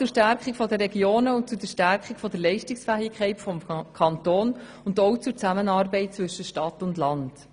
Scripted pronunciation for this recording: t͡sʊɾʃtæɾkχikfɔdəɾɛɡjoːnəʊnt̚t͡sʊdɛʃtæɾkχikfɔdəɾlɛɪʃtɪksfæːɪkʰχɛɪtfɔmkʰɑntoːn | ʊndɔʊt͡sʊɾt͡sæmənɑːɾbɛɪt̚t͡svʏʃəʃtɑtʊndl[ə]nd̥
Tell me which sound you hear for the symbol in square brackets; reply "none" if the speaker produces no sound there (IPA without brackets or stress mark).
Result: ɑ